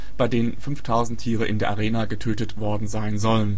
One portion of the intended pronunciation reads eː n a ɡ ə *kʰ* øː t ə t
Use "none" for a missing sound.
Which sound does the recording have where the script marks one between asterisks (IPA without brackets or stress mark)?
tʰ